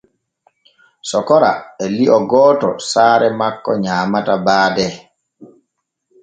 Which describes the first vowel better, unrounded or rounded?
rounded